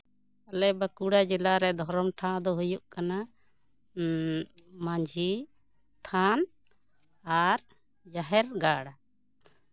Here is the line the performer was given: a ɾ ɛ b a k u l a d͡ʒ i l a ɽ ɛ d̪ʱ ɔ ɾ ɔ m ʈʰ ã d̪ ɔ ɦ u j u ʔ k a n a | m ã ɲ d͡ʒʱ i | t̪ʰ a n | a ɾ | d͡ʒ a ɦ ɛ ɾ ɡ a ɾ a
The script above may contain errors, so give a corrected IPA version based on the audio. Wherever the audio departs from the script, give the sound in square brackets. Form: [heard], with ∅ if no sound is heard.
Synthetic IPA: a [l] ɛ b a k u [ɽ] a d͡ʒ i l a [ɾ] ɛ d̪ʱ ɔ ɾ ɔ m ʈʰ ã d̪ ɔ ɦ u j u ʔ k a n a | m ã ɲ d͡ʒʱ i | t̪ʰ a n | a ɾ | d͡ʒ a ɦ ɛ ɾ ɡ a [ɽ] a